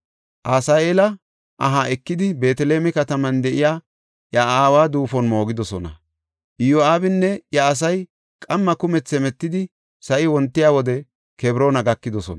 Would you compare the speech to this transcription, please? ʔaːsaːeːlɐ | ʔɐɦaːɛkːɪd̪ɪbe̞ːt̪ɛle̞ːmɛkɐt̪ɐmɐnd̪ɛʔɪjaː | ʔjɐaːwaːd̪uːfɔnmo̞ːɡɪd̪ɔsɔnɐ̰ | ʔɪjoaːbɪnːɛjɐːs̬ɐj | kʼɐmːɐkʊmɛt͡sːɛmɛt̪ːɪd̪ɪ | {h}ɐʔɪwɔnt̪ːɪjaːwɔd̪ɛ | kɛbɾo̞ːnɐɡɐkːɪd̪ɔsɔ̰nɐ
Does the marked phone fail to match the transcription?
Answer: yes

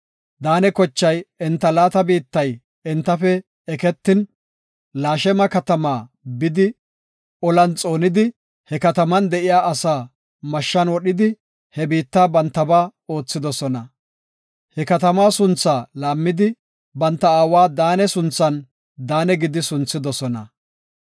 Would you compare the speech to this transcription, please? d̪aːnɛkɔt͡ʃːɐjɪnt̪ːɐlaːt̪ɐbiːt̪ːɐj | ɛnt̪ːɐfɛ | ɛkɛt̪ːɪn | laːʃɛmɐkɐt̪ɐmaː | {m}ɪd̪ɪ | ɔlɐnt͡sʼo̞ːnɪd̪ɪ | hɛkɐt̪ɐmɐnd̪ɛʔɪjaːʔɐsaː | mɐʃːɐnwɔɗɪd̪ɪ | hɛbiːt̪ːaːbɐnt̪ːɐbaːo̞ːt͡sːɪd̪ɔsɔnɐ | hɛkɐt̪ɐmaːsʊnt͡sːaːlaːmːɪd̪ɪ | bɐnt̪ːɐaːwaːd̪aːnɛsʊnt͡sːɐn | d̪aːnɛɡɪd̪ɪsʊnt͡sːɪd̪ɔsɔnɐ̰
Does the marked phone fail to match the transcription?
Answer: yes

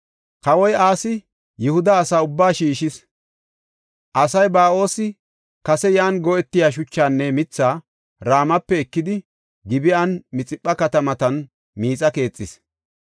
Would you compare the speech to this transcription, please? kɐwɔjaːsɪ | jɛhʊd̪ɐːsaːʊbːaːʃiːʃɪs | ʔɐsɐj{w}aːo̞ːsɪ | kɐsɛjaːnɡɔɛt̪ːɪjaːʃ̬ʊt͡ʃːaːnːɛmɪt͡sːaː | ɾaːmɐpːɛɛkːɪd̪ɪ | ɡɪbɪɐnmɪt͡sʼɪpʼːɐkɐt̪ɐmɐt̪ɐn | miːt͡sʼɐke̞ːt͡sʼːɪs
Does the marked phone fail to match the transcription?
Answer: yes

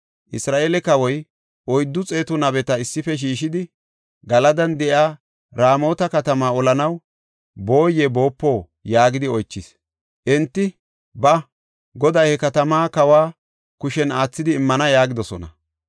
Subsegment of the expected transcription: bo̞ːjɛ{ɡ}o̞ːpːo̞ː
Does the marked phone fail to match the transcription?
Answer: yes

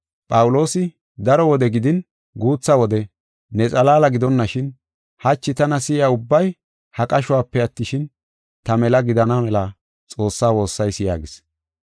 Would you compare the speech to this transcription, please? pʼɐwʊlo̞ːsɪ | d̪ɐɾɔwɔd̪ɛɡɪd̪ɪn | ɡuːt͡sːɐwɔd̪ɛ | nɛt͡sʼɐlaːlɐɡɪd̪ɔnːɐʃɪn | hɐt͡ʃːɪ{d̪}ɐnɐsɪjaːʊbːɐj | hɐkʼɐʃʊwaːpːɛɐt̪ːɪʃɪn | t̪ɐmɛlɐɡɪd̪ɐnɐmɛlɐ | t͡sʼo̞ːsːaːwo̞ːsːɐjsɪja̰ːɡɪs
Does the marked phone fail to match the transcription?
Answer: yes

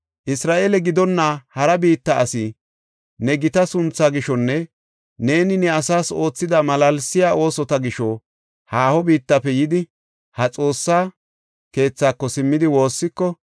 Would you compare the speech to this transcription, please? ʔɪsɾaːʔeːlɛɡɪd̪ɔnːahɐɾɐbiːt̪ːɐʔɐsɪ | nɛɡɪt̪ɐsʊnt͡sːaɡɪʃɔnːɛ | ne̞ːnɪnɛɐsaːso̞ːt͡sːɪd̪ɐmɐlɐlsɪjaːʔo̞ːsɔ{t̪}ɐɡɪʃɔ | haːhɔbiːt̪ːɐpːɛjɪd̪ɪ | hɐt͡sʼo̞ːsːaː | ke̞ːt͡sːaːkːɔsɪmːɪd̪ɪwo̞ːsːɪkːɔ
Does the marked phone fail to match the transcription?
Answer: no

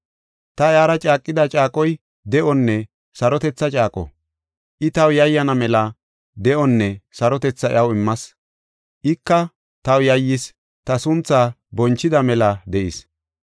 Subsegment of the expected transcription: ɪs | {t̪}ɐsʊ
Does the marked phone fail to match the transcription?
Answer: no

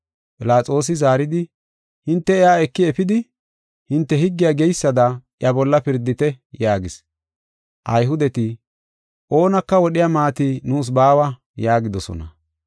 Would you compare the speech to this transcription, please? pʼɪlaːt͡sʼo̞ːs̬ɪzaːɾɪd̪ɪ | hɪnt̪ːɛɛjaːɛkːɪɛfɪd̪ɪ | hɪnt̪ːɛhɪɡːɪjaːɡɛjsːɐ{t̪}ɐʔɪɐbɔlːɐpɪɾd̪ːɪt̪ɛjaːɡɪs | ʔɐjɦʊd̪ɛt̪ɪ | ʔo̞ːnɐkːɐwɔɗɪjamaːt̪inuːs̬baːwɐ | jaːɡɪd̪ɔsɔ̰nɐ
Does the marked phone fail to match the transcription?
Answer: yes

